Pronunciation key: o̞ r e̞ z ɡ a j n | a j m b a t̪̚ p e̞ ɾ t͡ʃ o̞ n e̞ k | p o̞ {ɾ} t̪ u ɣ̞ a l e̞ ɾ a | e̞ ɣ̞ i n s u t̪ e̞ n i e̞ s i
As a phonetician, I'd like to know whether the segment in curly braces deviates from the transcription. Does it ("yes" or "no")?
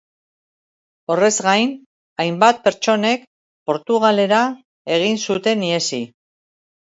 no